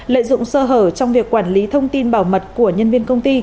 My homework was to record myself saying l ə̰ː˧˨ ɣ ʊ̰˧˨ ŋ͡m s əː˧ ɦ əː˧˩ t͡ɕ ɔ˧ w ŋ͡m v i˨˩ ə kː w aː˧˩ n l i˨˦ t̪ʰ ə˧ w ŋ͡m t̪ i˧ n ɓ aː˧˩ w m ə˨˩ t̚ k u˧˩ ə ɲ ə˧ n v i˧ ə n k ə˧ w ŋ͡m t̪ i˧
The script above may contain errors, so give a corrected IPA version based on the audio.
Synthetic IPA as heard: l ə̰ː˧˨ z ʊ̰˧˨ ŋ͡m s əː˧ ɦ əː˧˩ t͡ɕ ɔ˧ w ŋ͡m v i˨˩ ə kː w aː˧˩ n l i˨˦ t̪ʰ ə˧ w ŋ͡m t̪ i˧ n ɓ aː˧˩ w m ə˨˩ t̚ k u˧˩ ə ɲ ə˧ n v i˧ ə n k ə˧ w ŋ͡m t̪ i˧